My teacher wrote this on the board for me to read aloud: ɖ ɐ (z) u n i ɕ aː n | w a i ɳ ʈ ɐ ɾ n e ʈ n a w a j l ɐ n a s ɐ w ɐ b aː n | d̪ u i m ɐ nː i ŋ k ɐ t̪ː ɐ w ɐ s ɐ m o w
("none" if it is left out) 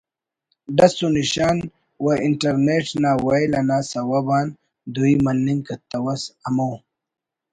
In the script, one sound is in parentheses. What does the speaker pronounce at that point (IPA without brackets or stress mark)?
s